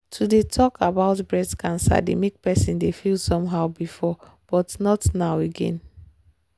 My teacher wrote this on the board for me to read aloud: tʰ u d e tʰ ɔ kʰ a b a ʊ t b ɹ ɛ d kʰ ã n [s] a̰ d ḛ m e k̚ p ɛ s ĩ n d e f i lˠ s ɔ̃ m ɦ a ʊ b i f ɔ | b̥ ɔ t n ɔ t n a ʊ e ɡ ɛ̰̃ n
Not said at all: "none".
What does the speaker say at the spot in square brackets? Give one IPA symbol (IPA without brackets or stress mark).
s